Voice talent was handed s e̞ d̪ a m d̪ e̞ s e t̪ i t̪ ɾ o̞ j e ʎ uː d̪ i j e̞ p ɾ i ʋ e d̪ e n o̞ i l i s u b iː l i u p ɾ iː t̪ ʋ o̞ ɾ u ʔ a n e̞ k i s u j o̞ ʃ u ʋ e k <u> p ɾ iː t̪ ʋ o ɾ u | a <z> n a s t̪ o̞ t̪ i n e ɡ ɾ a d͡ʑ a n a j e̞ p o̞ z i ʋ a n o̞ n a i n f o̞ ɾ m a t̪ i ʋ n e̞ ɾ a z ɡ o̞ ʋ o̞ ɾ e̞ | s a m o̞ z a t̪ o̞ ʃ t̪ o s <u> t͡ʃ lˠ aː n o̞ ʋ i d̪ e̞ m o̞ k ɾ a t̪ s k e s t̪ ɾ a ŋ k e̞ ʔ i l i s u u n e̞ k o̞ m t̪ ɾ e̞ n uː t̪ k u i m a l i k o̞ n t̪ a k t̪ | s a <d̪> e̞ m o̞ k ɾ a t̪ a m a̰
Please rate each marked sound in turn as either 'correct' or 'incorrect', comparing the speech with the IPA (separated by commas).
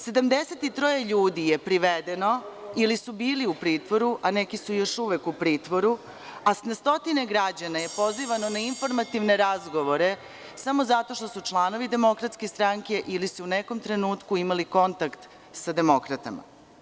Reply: correct, incorrect, correct, correct